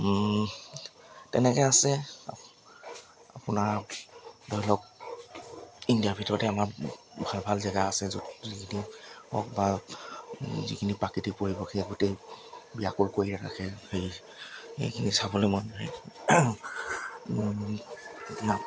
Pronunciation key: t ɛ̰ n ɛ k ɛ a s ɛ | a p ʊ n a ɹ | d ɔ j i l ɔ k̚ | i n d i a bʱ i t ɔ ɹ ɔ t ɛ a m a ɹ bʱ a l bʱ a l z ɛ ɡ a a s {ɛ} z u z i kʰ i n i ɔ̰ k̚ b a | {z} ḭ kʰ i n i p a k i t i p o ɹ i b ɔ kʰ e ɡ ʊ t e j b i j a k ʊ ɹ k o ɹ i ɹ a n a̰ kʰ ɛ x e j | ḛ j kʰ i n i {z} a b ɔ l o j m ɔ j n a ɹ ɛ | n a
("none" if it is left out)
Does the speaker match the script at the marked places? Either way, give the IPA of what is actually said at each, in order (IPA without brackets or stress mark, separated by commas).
ɛ, z, s